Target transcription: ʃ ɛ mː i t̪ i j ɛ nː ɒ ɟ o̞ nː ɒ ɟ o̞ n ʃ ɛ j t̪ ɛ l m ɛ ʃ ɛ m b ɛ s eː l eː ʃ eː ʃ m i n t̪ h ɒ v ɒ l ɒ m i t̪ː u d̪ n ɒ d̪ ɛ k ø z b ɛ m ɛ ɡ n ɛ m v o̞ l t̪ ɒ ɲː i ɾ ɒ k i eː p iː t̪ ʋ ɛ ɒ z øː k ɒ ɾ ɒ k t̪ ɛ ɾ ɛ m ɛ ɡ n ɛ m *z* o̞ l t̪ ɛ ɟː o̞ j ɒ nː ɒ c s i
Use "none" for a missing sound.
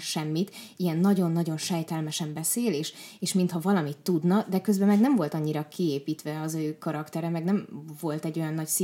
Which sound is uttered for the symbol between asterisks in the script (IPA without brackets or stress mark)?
v